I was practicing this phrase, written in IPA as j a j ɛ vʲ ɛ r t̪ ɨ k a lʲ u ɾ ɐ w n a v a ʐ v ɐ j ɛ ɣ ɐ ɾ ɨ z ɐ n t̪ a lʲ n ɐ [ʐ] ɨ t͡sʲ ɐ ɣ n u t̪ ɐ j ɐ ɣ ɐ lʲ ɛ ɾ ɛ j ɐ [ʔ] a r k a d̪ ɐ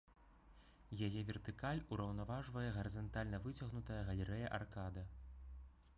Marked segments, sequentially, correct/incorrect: incorrect: v, correct

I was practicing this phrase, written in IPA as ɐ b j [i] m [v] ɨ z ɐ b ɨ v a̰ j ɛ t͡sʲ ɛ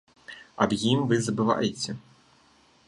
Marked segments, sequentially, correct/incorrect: correct, correct

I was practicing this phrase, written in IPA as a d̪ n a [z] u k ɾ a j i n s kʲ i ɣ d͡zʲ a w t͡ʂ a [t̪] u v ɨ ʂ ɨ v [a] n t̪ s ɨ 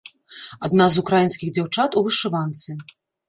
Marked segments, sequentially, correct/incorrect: correct, correct, correct

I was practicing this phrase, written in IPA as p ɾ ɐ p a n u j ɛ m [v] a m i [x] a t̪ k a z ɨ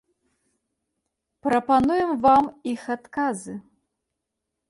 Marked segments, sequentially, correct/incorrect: correct, correct

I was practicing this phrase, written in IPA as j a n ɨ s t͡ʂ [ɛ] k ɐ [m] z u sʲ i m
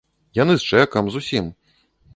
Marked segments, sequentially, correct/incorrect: correct, correct

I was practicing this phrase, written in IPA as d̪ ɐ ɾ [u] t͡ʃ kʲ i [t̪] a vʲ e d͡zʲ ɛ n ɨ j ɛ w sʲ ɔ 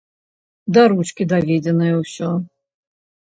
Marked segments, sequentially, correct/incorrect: correct, incorrect: d̪

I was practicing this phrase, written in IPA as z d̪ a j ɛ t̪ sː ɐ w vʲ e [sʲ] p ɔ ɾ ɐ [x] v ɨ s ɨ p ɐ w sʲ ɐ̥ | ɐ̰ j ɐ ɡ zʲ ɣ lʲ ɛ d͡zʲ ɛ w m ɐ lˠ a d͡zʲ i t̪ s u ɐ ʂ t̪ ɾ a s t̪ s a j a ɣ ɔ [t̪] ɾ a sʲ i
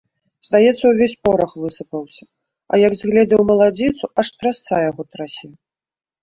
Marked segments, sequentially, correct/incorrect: correct, correct, correct

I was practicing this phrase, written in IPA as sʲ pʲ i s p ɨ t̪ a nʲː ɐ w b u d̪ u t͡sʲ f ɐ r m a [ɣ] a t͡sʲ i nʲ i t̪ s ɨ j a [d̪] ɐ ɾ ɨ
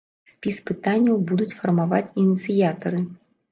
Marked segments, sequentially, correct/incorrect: incorrect: v, incorrect: t̪

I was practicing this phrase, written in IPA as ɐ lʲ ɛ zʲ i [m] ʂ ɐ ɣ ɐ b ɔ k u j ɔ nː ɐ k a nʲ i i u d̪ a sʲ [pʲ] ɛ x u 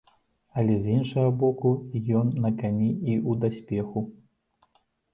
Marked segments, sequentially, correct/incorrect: incorrect: n, correct

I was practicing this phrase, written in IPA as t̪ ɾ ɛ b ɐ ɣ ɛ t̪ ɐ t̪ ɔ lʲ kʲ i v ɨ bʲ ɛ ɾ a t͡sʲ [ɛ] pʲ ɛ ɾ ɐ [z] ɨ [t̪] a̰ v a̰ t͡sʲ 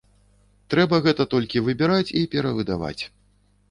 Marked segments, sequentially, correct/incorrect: incorrect: i, incorrect: v, incorrect: d̪

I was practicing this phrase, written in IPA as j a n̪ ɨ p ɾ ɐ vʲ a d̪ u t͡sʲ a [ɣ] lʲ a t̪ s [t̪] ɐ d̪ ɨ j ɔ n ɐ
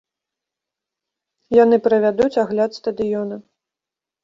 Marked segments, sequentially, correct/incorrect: correct, correct

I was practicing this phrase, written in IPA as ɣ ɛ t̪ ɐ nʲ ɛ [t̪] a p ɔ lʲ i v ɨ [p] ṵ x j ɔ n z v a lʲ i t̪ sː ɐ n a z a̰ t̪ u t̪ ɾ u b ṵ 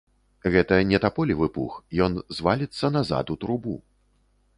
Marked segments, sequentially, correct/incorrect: correct, correct

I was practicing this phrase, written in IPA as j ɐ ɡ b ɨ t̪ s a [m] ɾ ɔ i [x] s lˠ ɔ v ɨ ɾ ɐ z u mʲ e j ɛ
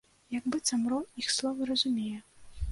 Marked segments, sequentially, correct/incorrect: correct, correct

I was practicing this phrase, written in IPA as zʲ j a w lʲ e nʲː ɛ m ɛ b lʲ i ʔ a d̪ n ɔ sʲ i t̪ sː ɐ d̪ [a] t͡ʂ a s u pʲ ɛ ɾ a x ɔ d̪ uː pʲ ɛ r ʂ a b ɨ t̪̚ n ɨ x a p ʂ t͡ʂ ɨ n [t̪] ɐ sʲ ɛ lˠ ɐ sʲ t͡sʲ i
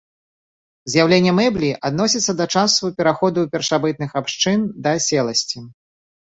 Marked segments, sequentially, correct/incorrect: incorrect: ɐ, incorrect: d̪

